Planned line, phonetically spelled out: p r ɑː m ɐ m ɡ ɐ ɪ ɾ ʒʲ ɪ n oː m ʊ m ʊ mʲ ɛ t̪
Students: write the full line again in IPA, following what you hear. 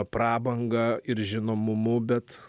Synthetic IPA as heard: p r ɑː b ɐ ŋ ɡ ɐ ɪ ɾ ʒʲ ɪ n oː m ʊ m ʊ bʲ ɛ t̪